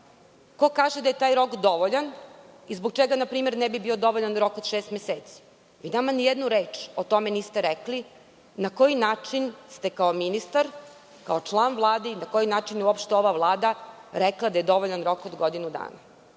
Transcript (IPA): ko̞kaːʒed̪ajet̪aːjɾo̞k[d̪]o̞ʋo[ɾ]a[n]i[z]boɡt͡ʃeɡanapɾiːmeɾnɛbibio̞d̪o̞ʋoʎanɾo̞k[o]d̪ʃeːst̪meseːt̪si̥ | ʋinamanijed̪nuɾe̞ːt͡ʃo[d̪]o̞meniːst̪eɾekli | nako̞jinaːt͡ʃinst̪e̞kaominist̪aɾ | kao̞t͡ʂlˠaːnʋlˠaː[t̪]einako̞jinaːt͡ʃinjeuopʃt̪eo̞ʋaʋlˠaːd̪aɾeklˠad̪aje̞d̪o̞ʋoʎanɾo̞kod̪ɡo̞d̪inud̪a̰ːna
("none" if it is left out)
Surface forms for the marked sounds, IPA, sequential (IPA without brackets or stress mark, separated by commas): d̪, ʎ, n, z, o, t̪, d̪